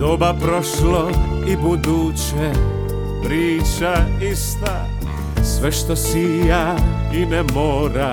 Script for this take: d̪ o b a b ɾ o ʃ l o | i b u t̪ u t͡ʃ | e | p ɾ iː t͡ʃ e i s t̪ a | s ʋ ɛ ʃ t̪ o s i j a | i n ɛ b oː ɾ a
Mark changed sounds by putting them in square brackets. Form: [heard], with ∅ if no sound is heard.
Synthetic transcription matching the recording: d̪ o b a [p] ɾ o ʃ l o | i b u [d̪] u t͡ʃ | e | p ɾ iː t͡ʃ [a] i s t̪ a | s ʋ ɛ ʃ t̪ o s i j a | i n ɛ [m] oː ɾ a